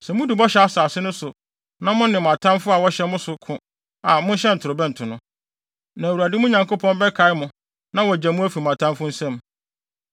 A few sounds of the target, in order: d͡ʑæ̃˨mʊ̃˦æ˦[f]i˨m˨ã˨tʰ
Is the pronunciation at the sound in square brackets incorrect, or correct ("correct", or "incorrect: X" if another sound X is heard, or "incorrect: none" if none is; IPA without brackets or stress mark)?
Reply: correct